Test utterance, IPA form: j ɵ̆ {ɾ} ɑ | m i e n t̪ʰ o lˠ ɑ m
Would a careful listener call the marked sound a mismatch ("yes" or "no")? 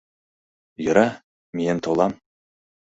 no